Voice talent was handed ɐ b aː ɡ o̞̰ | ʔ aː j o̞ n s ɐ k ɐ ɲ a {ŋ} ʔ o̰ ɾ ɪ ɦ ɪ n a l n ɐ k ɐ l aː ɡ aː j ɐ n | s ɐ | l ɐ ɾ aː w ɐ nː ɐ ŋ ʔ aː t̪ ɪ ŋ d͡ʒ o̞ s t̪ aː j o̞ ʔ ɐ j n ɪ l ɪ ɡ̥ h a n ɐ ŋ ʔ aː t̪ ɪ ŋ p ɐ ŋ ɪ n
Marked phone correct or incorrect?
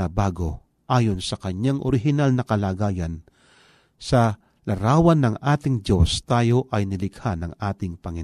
correct